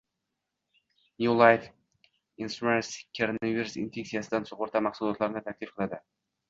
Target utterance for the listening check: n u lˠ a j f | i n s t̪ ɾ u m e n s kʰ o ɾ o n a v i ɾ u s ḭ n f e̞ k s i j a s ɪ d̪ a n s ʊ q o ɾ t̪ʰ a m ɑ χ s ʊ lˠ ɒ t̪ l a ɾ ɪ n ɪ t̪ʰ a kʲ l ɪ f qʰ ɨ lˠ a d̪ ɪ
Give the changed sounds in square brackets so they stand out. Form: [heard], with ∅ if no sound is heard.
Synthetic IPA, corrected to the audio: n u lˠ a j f | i n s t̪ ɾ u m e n s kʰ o ɾ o n a v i ɾ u s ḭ n f e̞ k s i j a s ɪ d̪ a n s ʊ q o ɾ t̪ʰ a m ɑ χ s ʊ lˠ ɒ t̪ l a ɾ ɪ n ɪ t̪ʰ a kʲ l ɪ f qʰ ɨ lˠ a d̪ ɪ